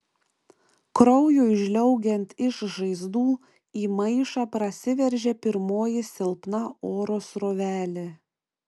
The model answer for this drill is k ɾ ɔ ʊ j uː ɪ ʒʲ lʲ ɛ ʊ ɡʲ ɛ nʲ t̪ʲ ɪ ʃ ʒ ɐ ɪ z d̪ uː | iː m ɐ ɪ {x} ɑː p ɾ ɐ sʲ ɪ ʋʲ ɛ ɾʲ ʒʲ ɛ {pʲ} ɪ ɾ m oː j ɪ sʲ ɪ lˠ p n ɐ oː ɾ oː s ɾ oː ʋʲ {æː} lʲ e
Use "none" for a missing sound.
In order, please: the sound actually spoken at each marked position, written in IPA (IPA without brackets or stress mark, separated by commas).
ʃ, pʲ, æː